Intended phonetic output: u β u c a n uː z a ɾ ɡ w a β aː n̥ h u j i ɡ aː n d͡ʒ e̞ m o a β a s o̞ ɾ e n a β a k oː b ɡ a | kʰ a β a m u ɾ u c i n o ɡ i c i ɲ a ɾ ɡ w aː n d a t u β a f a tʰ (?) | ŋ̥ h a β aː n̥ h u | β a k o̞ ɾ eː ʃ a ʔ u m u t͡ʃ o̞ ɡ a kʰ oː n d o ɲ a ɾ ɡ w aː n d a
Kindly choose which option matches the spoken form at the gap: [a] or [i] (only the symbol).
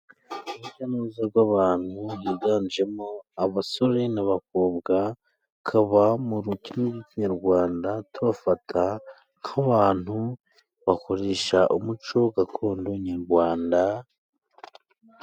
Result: a